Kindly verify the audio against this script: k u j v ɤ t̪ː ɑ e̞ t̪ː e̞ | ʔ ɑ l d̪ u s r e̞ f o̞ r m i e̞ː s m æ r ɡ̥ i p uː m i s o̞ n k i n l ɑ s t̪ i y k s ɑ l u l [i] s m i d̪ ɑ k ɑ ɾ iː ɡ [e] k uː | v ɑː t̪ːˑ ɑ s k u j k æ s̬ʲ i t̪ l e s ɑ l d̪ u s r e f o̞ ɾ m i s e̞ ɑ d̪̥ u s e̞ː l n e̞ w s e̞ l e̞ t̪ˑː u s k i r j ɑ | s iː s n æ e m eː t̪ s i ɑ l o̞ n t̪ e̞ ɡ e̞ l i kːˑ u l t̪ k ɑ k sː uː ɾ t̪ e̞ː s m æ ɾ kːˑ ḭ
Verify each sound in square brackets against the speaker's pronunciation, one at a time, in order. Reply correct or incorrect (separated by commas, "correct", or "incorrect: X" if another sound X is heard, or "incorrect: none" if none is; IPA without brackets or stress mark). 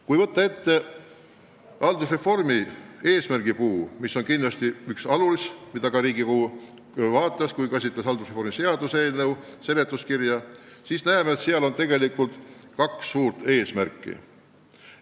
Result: correct, incorrect: i